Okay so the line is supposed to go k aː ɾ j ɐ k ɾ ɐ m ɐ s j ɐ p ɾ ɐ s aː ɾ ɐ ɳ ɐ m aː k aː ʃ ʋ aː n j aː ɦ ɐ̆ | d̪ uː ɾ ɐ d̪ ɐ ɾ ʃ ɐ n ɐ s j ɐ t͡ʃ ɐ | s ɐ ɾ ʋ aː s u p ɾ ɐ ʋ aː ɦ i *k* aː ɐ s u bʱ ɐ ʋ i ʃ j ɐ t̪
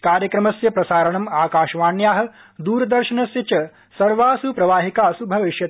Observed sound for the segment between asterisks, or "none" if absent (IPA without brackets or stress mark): k